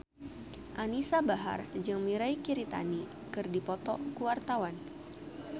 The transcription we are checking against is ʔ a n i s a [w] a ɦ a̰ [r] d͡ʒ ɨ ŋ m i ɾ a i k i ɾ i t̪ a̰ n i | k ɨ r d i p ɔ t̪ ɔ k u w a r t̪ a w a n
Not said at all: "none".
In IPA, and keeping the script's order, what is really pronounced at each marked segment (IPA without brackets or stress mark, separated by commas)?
b, r